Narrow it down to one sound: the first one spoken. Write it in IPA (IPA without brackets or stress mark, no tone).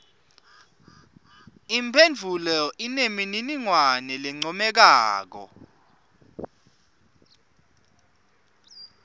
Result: i